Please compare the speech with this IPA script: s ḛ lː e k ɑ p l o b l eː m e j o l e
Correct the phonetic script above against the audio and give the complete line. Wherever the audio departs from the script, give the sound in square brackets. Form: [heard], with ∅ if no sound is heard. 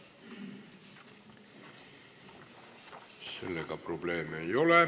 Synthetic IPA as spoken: s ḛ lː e k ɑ p [r] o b l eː m e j o l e